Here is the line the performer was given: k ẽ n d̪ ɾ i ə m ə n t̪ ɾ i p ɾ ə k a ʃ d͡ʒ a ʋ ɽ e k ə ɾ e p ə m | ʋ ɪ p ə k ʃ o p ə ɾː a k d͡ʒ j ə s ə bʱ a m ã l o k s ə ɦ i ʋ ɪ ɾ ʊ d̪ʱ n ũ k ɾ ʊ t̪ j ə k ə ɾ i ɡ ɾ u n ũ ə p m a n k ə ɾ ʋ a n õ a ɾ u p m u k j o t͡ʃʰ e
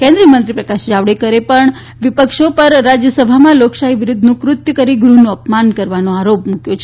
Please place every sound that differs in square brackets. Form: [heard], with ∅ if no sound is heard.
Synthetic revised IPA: k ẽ n d̪ ɾ i ə m ə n t̪ ɾ i p ɾ ə k a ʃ d͡ʒ a ʋ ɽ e k ə ɾ e p ə [ɳ] | ʋ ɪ p ə k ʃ o p ə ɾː a [∅] d͡ʒ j ə s ə bʱ a m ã l o k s [a] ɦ i ʋ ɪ ɾ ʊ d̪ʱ n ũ k ɾ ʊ t̪ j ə k ə ɾ i ɡ ɾ u n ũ ə p m a n k ə ɾ ʋ a n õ a ɾ [o] p m u k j o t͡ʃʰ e

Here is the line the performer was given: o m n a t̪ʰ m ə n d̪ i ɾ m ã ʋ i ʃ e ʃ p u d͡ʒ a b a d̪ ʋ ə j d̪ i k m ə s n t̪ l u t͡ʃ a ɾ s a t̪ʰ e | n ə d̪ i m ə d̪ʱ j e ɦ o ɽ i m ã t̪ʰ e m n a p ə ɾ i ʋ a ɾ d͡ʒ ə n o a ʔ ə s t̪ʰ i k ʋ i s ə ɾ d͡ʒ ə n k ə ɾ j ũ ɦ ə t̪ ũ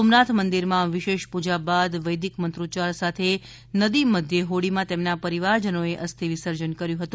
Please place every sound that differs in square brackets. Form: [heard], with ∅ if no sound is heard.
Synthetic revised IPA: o m n a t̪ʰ m ə n d̪ i ɾ m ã ʋ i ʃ e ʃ p u d͡ʒ a b a d̪ ʋ ə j d̪ i k m ə [∅] n t̪ [ɾ] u t͡ʃ a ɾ s a t̪ʰ e | n ə d̪ i m ə d̪ʱ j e ɦ o ɽ i m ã [t̪] e m n a p ə ɾ i ʋ a ɾ d͡ʒ ə n o [e] ʔ ə s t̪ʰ i [∅] ʋ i s ə ɾ d͡ʒ ə n k ə ɾ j ũ ɦ ə t̪ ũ

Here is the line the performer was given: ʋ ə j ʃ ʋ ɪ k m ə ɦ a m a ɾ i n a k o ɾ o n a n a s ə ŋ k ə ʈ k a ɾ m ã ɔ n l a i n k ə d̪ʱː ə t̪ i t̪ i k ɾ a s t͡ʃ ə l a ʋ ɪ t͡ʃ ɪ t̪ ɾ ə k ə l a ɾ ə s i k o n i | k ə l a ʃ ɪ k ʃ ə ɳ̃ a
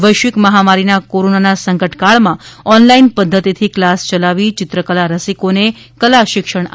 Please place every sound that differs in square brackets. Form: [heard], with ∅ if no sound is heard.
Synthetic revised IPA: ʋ ə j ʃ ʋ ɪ k m ə ɦ a m a ɾ i n a k o ɾ o n a n a s ə ŋ k ə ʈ k a [ɭ] m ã ɔ n l a i n [p] ə d̪ʱː ə t̪ i [t̪ʰ] i k [l] a s t͡ʃ ə l a ʋ [i] t͡ʃ ɪ t̪ ɾ ə k ə l a ɾ ə s i k o n [e] | k ə l a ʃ ɪ k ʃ ə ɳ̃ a

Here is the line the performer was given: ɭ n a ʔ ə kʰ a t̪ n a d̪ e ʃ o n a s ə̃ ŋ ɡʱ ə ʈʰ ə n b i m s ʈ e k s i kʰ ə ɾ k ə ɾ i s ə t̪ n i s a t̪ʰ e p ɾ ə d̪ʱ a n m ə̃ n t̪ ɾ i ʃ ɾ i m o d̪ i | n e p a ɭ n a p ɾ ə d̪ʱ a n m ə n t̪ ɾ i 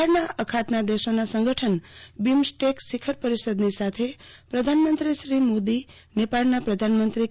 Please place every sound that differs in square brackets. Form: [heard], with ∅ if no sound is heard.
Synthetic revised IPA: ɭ n a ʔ ə kʰ a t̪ n a d̪ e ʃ o n a s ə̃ ŋ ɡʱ ə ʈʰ ə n b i m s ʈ e k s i kʰ ə ɾ [p] ə ɾ i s ə [d̪] n i s a t̪ʰ e p ɾ ə d̪ʱ a n m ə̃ n t̪ ɾ i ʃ ɾ i m o d̪ i | n e p a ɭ n a p ɾ ə d̪ʱ a n m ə n t̪ ɾ i

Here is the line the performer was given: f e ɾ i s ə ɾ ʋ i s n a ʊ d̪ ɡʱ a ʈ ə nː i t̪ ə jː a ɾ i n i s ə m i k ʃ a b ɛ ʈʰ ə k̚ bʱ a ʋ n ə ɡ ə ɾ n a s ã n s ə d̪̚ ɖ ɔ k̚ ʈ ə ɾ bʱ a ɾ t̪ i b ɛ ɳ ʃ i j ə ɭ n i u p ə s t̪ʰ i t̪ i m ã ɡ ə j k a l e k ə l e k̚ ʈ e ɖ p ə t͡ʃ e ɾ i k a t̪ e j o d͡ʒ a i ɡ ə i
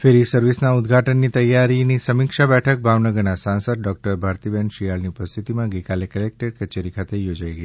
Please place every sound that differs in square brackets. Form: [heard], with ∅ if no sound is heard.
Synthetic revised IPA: f e ɾ i s ə ɾ ʋ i s n a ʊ d̪ ɡʱ a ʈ ə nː i t̪ ə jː a ɾ i n i s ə m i k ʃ a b ɛ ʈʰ ə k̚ bʱ a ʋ n ə ɡ ə ɾ n a s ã n s ə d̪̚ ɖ ɔ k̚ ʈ ə ɾ bʱ a ɾ t̪ i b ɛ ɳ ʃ i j [a] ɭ n i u p ə s t̪ʰ i t̪ i m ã ɡ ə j k a l e k ə l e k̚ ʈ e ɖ [k] ə t͡ʃ e ɾ i [kʰ] a t̪ e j o d͡ʒ a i ɡ ə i

